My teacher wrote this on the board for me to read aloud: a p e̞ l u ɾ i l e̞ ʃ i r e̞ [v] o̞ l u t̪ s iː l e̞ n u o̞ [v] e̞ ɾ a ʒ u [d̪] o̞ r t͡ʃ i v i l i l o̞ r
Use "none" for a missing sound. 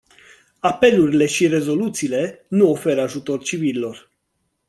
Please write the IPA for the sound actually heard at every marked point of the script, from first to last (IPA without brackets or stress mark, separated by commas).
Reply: z, f, t̪